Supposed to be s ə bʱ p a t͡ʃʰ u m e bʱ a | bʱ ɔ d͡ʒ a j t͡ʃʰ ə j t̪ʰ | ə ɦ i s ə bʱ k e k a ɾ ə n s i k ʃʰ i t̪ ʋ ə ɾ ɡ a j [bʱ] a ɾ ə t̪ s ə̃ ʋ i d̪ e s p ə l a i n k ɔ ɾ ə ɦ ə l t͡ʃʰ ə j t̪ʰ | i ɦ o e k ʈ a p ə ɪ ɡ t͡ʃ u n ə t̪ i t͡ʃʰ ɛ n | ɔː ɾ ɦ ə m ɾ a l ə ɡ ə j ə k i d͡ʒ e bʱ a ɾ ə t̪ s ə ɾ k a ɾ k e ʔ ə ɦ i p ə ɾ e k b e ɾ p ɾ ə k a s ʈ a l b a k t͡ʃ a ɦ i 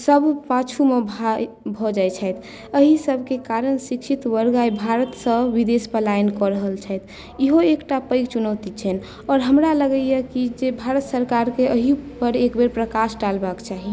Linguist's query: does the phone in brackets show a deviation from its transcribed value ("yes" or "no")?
no